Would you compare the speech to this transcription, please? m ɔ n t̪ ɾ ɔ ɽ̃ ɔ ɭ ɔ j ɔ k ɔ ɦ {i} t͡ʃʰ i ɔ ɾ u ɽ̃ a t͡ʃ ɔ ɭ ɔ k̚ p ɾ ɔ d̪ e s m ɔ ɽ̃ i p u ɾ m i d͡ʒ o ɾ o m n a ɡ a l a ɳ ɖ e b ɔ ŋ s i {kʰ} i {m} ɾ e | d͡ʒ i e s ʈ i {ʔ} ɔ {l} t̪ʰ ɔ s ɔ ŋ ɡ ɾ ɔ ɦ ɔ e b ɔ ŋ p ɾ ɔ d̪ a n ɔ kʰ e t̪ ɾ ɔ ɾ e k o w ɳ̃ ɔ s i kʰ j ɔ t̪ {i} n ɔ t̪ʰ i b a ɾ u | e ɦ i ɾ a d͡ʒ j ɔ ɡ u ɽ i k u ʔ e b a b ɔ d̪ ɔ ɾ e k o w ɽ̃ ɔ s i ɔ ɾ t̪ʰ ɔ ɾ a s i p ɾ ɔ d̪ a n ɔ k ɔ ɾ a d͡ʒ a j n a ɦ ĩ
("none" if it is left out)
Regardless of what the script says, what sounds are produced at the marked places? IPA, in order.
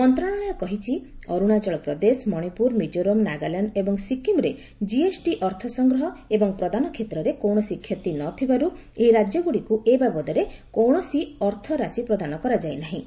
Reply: i, k, m, ʔ, ɾ, i

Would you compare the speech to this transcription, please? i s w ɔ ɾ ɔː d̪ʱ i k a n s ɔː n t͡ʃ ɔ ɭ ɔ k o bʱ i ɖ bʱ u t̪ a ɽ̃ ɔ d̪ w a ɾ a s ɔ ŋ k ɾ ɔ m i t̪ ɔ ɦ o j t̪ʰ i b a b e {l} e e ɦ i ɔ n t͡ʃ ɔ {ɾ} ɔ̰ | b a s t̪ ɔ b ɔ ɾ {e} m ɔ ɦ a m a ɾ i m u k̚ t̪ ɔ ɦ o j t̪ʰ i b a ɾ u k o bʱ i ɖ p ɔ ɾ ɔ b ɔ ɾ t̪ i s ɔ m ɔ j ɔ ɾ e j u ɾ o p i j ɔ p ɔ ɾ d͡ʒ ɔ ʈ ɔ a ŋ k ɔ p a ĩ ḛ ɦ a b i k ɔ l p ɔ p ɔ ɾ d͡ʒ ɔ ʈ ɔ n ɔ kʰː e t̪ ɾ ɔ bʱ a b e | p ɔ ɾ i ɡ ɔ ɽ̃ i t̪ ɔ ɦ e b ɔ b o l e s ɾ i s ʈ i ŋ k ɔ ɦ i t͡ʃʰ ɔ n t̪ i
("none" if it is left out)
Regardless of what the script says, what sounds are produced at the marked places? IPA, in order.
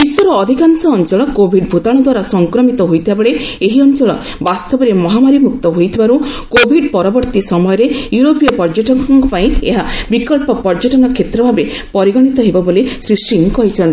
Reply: ɭ, ɭ, e

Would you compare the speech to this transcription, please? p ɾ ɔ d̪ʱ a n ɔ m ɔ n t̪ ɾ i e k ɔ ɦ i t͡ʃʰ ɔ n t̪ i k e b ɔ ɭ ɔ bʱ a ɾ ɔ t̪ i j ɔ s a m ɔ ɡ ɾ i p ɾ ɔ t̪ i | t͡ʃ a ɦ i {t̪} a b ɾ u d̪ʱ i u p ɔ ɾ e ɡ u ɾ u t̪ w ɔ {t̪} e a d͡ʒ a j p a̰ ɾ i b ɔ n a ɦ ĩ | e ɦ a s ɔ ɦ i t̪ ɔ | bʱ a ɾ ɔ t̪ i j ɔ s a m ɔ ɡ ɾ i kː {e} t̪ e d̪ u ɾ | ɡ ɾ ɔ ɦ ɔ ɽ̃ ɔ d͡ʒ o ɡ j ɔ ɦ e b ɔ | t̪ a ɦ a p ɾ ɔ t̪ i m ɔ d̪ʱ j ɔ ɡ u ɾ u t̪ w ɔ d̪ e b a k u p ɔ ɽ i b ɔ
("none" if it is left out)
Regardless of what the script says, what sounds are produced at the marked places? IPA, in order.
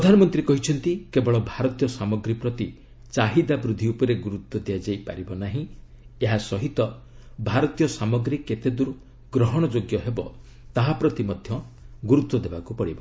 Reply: d̪, d̪, e

